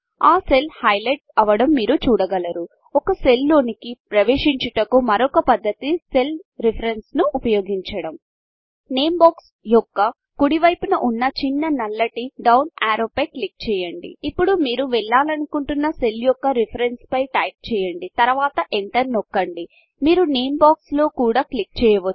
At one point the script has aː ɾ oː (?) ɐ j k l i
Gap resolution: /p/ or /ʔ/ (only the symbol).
p